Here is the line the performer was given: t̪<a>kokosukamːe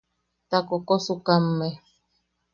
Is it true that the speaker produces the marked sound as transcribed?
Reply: yes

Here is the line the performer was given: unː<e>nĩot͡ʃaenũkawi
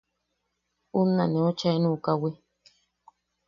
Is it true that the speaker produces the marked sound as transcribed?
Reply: no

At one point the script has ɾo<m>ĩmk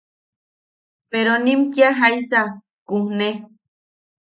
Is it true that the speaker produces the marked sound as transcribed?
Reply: no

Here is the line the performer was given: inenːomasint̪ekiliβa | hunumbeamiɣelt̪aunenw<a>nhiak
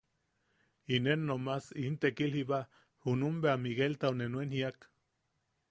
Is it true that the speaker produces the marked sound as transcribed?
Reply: no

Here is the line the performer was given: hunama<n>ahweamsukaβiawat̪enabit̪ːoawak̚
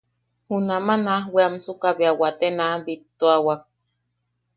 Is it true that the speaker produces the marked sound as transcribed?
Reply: yes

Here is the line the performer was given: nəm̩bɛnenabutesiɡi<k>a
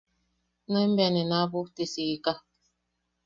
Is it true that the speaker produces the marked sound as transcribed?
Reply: yes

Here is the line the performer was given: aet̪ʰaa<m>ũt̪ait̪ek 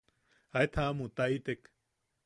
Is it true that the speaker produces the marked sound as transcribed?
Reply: yes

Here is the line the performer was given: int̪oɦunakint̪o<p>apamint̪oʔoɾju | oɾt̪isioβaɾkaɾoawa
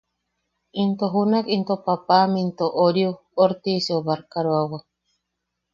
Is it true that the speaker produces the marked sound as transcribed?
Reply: yes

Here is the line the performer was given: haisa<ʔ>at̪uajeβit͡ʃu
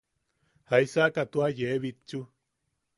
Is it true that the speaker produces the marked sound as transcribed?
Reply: no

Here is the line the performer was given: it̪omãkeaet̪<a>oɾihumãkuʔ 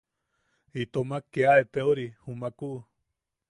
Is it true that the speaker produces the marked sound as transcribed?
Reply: no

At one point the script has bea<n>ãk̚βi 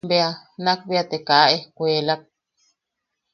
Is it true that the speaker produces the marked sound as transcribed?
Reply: yes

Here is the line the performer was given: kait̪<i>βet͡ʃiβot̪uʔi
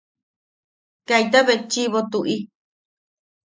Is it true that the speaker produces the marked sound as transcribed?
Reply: no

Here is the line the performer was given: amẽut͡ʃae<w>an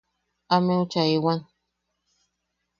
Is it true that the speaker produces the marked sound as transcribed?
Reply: yes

